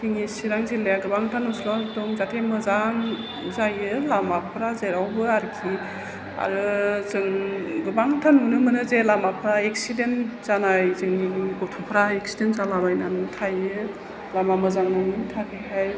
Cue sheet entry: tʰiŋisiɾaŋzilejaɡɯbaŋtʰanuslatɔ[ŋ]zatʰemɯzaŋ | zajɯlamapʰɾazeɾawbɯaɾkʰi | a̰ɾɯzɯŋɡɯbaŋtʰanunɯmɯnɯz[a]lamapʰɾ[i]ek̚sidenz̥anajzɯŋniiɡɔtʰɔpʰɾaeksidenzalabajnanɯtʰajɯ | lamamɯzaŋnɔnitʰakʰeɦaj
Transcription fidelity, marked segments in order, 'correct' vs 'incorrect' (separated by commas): correct, incorrect, incorrect